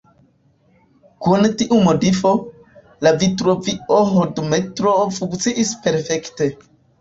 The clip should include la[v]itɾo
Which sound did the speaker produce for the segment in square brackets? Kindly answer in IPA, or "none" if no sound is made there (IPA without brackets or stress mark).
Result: v